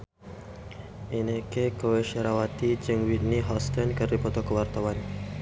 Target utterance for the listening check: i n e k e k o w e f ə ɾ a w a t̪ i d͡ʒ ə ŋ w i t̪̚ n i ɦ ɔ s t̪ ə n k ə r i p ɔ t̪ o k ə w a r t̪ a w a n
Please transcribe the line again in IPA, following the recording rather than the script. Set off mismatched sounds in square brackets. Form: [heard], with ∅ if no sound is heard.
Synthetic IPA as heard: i n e k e k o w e [ʃ] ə ɾ a w a t̪ i d͡ʒ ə ŋ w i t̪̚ n i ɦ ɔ s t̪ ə n k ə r i p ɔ t̪ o k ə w a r t̪ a w a n